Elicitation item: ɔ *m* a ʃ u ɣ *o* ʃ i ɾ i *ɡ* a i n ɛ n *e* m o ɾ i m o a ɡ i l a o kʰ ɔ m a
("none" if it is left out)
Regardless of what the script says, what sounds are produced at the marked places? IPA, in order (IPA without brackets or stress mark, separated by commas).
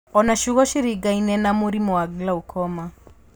n, ɔ, ɡ, a